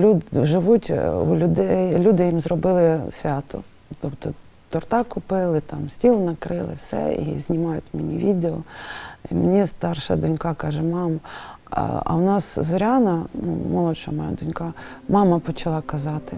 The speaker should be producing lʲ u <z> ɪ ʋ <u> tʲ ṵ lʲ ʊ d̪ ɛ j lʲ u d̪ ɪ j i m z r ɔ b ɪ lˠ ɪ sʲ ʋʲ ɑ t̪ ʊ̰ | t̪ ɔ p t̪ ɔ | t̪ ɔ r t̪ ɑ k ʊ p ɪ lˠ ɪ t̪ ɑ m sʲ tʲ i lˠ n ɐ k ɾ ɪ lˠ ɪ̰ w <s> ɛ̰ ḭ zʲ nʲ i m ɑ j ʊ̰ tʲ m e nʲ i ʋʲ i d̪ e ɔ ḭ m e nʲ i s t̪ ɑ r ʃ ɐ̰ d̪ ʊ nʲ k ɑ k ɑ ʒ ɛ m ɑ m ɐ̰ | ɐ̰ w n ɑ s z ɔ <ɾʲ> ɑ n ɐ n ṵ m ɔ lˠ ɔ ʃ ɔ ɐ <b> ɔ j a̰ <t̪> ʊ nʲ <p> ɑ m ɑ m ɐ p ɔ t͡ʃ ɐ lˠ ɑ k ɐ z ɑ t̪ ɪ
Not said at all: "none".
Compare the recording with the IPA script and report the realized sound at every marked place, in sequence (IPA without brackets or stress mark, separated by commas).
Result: ʒ, u, s, ɾʲ, m, d̪, k